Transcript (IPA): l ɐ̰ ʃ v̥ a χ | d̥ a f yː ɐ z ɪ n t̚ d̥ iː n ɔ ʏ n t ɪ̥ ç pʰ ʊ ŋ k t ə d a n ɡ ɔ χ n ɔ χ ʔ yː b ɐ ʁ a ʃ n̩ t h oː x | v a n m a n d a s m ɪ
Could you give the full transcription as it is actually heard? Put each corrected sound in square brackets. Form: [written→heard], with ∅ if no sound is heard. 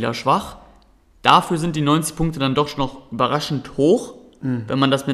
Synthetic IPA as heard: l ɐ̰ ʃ v̥ a χ | d̥ a f yː ɐ z ɪ n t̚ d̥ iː n ɔ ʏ n [t→t͡s] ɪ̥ ç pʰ ʊ ŋ k t ə d a n [ɡ→d] ɔ χ n ɔ χ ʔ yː b ɐ ʁ a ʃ n̩ t h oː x | v [a→ɛ] n m a n d a s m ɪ